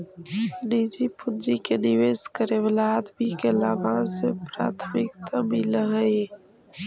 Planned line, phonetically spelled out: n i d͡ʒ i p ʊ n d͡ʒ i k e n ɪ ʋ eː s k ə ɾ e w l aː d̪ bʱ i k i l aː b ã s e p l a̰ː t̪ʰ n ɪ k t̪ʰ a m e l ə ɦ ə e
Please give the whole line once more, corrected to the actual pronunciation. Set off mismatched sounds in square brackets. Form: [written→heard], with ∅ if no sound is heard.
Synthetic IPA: n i d͡ʒ i p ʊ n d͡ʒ i k e n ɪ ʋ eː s k ə ɾ e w l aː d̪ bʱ i k [i→e] l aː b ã s e p [l→ɾ] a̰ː t̪ʰ [n→m] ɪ k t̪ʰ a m [e→i] l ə ɦ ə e

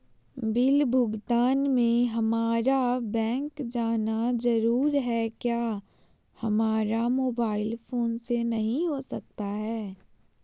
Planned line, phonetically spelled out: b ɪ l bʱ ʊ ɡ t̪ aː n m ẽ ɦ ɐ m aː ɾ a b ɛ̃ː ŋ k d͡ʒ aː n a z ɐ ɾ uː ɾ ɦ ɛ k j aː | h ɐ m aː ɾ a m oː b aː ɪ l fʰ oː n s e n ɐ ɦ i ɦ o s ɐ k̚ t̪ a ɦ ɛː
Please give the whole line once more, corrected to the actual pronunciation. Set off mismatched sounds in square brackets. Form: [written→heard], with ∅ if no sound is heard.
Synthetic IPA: b ɪ l bʱ ʊ ɡ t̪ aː n m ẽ ɦ ɐ m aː ɾ a b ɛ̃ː ŋ k d͡ʒ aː n a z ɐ ɾ uː ɾ ɦ ɛ k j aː | h ɐ m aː ɾ a m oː b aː ɪ l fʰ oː n s e n ɐ ɦ [i→ĩ] ɦ o s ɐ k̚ t̪ a ɦ ɛː

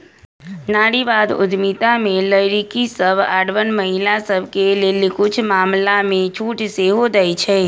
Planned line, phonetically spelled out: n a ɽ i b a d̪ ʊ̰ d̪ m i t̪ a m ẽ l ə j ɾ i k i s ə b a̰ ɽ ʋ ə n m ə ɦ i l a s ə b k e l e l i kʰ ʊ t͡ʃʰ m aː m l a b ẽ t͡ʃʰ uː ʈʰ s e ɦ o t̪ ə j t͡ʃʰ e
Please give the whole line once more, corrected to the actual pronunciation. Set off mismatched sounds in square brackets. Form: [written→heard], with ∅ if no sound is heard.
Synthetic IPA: n a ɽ i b a d̪ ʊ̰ d̪ m i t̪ a m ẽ l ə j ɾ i k i s ə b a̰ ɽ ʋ ə n m ə ɦ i l a s ə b k e l e l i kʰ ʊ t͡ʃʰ m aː m l a [b→m] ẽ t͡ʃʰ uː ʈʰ s e ɦ o [t̪→d̪] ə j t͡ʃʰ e

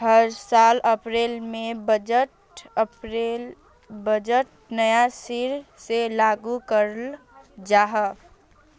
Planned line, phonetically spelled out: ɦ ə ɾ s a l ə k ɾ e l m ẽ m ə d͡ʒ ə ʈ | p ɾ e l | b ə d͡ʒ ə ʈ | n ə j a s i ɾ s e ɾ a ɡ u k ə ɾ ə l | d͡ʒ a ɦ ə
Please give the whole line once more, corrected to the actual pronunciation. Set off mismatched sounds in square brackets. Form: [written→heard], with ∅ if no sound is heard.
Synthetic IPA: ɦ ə ɾ s a l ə [k→p] ɾ e l m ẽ [m→b] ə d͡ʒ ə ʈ | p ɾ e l | b ə d͡ʒ ə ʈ | n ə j a s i ɾ s e [ɾ→l] a ɡ u k ə ɾ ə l | d͡ʒ a ɦ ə

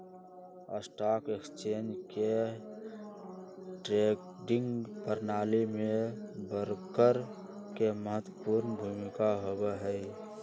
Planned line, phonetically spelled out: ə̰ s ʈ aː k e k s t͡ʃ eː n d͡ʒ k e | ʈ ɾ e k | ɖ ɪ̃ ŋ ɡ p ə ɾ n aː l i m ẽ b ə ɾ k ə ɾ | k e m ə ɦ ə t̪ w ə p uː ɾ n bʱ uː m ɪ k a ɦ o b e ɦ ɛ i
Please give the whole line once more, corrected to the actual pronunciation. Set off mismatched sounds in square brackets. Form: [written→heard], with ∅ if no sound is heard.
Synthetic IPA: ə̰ s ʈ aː k e k s t͡ʃ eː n d͡ʒ k e | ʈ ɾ e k | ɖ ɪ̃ ŋ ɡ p ə ɾ n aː l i m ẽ b ə ɾ k ə ɾ | k e m ə ɦ ə t̪ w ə p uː ɾ n bʱ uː m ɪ k a ɦ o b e ɦ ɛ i

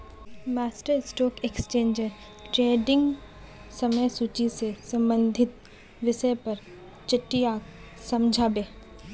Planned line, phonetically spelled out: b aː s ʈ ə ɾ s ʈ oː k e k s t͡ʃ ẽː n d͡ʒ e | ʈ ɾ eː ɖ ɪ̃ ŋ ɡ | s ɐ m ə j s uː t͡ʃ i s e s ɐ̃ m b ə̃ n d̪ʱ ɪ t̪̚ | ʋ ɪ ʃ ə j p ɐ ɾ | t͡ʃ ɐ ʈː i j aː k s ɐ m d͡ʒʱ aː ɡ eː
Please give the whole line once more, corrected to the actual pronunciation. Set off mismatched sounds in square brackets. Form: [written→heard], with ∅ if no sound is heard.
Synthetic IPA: [b→m] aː s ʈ ə ɾ s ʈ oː k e k s t͡ʃ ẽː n d͡ʒ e | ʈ ɾ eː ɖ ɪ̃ ŋ ɡ | s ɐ m ə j s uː t͡ʃ i s e s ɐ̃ m b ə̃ n d̪ʱ ɪ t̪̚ | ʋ ɪ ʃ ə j p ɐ ɾ | t͡ʃ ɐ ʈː i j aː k s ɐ m d͡ʒʱ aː [ɡ→b] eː

